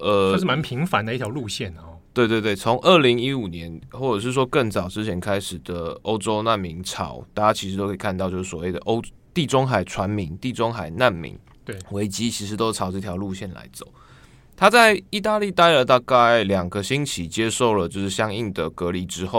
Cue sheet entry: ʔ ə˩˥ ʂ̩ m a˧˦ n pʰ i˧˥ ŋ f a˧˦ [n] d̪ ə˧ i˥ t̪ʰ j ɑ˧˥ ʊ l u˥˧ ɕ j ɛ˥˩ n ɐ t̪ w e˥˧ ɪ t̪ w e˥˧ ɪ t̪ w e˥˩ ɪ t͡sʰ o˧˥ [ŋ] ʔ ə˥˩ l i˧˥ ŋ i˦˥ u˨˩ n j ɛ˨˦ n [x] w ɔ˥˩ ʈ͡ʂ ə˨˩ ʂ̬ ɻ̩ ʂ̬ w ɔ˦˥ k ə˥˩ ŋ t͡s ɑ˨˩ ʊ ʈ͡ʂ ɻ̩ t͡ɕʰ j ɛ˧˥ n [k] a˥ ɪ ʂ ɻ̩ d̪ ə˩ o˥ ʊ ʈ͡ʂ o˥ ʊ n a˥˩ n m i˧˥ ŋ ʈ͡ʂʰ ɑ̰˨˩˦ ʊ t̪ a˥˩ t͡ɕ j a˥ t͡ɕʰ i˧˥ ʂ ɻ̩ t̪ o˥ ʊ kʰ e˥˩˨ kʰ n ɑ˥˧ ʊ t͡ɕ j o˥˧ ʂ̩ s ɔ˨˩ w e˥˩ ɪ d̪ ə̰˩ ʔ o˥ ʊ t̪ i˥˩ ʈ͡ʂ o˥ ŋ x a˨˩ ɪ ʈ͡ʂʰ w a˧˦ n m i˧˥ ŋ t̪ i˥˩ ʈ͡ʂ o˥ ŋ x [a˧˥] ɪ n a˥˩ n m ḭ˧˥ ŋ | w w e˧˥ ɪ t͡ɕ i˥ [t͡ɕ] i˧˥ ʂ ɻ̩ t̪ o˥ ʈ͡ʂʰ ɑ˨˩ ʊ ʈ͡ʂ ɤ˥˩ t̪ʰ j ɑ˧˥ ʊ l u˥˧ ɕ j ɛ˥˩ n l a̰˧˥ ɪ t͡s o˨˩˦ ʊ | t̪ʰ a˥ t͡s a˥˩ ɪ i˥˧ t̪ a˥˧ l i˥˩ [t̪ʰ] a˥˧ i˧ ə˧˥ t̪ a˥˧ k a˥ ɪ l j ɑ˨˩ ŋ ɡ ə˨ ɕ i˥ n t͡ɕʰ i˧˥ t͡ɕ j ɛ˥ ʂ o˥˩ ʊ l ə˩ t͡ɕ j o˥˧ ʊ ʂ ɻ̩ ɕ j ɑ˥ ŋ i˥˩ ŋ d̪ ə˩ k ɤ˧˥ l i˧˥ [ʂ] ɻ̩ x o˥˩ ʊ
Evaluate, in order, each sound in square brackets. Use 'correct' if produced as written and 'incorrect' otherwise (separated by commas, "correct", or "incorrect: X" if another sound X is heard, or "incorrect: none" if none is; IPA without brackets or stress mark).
correct, correct, correct, incorrect: kʰ, incorrect: a˨˩, incorrect: t͡ɕʰ, incorrect: t̪, incorrect: ʈ͡ʂ